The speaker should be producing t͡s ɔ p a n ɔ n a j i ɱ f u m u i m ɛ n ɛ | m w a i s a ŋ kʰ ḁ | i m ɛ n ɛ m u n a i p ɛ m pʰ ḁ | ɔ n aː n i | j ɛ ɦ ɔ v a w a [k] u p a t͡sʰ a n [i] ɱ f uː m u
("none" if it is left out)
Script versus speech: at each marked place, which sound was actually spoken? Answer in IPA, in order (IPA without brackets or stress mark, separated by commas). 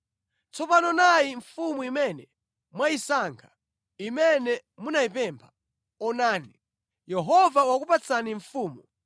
k, i